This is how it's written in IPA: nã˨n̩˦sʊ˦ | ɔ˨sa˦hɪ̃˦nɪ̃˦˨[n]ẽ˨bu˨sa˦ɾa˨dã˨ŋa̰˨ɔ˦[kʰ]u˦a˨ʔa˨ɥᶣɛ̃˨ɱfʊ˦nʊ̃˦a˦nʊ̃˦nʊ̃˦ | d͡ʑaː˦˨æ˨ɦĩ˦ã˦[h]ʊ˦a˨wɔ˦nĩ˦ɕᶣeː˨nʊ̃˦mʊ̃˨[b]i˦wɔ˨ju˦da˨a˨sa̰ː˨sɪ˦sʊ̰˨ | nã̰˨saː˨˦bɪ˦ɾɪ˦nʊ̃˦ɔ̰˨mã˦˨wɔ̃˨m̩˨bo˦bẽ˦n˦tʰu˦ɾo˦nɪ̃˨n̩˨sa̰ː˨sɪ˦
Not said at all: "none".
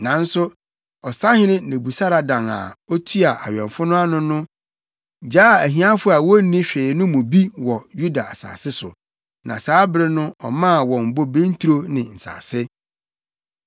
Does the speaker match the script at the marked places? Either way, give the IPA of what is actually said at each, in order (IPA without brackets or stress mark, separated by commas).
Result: n, tʰ, f, b